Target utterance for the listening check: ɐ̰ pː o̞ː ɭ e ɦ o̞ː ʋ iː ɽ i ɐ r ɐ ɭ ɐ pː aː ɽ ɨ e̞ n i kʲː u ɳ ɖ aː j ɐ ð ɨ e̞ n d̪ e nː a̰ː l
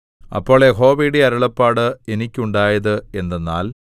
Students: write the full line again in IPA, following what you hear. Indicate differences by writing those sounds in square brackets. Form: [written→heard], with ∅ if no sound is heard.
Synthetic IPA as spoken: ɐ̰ pː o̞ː ɭ e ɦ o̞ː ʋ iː ɽ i ɐ [r→ɾ] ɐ ɭ ɐ pː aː ɽ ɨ e̞ n i kʲː u ɳ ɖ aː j ɐ ð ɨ e̞ n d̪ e nː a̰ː l